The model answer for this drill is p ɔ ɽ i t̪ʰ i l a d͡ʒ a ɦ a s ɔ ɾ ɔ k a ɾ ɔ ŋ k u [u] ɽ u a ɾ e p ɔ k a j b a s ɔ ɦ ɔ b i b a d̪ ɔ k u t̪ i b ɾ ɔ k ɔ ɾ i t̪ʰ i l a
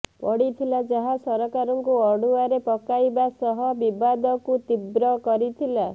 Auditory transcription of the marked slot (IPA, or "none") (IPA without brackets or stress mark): ɔ